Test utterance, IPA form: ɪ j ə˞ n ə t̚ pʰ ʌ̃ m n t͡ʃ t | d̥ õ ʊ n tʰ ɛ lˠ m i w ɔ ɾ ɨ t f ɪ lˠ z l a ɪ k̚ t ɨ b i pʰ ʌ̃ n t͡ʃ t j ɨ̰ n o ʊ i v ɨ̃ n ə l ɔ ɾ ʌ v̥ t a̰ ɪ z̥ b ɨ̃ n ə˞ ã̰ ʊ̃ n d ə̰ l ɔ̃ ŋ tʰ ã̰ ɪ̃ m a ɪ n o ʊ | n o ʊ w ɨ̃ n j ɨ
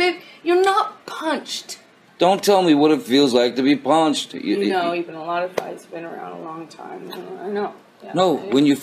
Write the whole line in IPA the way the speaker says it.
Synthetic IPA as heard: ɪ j ə˞ n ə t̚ pʰ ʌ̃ n t͡ʃ t | d̥ õ ʊ̃ n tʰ ɛ lˠ m i w ʌ ɾ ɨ t f i lˠ z l a ɪ k̚ t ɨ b i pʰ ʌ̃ n t͡ʃ t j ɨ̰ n o ʊ i v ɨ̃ n ə l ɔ ɾ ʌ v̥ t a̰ ɪ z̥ b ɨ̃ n ə˞ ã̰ ʊ̃ n d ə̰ l ɔ̃ ŋ tʰ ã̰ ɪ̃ m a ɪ n o ʊ | n o ʊ w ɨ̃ n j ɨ